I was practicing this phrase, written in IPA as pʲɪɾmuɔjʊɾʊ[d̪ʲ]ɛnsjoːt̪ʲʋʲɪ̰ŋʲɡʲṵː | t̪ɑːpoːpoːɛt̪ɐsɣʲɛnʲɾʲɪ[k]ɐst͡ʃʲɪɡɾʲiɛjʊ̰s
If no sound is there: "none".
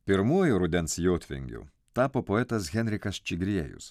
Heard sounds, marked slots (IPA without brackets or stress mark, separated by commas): d̪ʲ, k